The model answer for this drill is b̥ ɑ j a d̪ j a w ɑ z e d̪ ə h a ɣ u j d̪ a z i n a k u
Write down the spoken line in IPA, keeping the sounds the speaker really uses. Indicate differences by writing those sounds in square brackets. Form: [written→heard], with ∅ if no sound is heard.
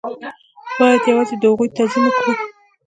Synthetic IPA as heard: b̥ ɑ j a d̪ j a w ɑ z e d̪ ə h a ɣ u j [d̪→t̪] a z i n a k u